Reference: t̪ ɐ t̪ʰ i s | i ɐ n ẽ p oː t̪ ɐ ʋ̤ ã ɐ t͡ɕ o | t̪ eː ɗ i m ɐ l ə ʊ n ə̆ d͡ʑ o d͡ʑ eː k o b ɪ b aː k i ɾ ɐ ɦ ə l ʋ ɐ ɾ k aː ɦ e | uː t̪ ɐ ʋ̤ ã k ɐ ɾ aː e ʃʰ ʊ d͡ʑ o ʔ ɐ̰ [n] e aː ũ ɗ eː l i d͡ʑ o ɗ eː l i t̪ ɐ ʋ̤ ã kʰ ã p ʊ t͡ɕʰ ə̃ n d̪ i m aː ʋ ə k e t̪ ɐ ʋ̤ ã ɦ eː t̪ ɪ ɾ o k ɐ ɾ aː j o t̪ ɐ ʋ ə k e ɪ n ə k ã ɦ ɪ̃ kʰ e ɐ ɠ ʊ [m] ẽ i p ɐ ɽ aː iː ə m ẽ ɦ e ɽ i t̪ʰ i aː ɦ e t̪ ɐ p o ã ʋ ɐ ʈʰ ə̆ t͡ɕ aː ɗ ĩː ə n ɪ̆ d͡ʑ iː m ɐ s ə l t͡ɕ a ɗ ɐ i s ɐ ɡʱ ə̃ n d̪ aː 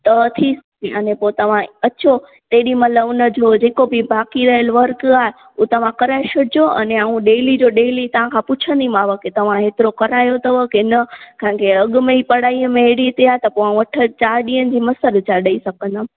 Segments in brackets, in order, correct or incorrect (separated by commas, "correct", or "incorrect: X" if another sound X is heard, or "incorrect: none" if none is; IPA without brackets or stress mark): correct, correct